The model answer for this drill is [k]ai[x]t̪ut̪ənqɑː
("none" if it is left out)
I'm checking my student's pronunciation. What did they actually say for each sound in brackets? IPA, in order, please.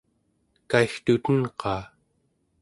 k, x

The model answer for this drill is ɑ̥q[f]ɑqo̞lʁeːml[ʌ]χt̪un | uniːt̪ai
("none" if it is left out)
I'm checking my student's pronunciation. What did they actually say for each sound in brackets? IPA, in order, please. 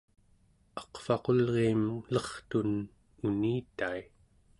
f, ʌ

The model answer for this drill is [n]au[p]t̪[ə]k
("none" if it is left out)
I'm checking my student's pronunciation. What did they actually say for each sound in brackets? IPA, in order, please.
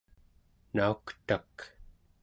n, k, a

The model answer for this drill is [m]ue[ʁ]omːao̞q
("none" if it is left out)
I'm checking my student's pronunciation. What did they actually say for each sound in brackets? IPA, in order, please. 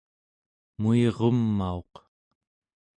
m, ʁ

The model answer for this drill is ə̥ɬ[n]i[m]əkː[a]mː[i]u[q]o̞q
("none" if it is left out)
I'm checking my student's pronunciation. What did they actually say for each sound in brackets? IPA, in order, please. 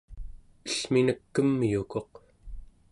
m, n, ə, j, k

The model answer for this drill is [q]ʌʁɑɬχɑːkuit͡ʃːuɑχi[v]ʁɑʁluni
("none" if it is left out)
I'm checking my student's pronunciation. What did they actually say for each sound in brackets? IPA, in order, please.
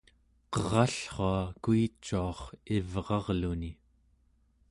q, v

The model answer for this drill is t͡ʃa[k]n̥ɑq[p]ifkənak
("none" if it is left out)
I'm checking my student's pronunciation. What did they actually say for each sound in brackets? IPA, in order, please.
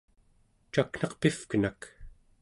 k, p

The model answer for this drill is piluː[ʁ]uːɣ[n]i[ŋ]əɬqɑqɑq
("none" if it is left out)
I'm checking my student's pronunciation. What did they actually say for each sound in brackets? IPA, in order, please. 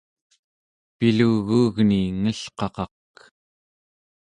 ɣ, n, ŋ

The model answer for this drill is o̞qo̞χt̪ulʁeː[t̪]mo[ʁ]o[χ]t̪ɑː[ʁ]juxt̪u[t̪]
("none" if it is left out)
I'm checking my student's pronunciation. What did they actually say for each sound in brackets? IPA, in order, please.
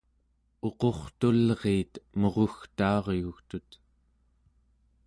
t̪, ʁ, x, ʁ, t̪

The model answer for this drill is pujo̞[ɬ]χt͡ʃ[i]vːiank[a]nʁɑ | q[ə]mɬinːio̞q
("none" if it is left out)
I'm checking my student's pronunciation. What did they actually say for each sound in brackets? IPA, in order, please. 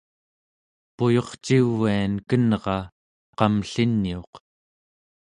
none, i, ə, ɑ

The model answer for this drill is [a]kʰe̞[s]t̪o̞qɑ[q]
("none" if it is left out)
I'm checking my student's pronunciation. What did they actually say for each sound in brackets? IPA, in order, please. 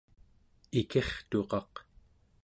i, χ, q

